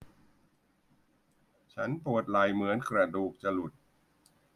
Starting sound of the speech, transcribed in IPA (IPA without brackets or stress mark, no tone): t͡ɕʰ